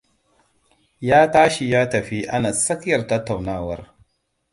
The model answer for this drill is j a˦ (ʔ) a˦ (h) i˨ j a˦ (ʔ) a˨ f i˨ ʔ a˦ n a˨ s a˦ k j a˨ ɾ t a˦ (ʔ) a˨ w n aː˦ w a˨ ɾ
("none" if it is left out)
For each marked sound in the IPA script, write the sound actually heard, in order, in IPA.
t, ʃ, t, t

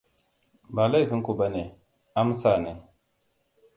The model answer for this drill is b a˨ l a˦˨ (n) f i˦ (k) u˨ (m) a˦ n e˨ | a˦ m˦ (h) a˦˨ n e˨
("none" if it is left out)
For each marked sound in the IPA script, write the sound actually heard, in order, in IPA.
none, k, b, s

